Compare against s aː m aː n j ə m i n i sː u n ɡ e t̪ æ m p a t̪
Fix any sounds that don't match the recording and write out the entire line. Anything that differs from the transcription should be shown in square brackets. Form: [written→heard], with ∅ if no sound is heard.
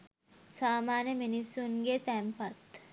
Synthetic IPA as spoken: s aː m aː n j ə m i n i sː u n ɡ e t̪ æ m p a t̪